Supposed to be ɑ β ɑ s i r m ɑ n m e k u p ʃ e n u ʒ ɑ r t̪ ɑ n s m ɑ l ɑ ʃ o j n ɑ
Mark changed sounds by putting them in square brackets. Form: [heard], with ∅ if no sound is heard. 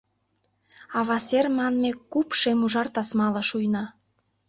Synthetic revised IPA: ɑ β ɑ s [e] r m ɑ n m e k u p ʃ e [m] u ʒ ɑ r t̪ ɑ [∅] s m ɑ l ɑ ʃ [u] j n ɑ

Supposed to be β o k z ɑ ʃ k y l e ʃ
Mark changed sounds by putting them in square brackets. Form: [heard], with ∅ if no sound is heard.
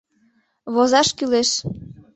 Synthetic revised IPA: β o [∅] z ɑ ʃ k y l e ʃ

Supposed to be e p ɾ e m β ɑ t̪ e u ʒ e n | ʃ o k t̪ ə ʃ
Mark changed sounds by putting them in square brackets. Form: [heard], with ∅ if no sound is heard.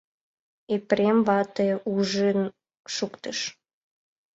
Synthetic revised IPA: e p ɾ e m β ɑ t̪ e u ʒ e n | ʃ [u] k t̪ ə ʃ

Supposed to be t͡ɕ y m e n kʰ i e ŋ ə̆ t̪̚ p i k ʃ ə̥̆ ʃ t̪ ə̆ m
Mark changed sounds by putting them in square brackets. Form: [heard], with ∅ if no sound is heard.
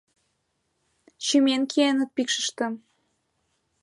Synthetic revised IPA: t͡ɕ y m e n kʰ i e [n] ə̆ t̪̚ p i k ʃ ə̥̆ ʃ t̪ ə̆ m

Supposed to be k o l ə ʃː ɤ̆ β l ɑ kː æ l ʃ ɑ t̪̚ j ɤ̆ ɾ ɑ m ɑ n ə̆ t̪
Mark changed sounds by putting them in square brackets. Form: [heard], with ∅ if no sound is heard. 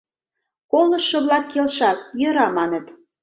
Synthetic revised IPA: k o l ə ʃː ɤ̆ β l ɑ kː [e] l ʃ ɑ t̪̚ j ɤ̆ ɾ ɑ m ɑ n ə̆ t̪

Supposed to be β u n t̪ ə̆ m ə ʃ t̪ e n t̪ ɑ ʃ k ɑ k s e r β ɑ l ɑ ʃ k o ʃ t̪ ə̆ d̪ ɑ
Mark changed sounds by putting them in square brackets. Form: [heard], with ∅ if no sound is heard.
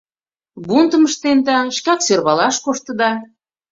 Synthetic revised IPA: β u n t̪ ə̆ m ə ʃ t̪ e n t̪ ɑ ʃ k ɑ k s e r β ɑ l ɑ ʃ k o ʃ t̪ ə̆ d̪ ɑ

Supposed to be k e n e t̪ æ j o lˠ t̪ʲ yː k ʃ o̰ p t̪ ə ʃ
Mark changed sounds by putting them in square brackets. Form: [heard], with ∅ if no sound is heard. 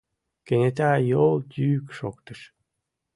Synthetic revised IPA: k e n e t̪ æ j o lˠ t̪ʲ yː k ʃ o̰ [k] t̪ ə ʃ

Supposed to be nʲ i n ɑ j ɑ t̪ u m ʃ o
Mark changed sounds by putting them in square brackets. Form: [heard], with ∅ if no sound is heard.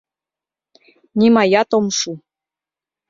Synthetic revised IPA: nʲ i [m] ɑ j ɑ t̪ [o] m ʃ [u]

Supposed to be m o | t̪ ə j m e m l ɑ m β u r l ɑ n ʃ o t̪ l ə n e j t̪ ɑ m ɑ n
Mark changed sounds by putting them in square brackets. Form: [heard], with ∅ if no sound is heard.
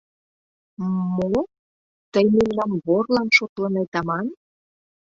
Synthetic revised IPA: m o | t̪ ə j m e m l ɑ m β [o] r l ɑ n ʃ o t̪ l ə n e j t̪ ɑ m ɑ n

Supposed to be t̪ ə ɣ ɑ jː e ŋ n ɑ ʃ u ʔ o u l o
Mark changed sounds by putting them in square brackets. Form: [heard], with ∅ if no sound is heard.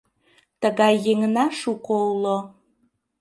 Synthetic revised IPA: t̪ ə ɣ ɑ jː e ŋ n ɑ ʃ u [k] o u l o

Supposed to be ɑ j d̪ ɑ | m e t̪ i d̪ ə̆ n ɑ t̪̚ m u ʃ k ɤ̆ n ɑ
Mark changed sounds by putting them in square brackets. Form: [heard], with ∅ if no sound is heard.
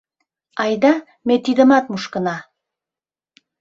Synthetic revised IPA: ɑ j d̪ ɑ | m e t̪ i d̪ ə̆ [m] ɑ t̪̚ m u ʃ k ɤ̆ n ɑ

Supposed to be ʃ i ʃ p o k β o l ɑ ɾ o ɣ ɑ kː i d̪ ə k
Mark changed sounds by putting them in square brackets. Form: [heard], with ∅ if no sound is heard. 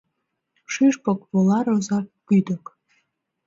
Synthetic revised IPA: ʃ [y] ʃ p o k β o l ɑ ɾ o [z] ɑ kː [y] d̪ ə k

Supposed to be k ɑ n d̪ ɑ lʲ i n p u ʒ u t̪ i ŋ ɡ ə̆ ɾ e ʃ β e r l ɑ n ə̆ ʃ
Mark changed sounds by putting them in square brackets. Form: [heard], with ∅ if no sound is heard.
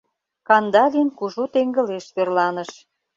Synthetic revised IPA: k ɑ n d̪ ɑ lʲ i n [k] u ʒ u t̪ [e] ŋ ɡ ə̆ [l] e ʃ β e r l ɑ n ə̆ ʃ

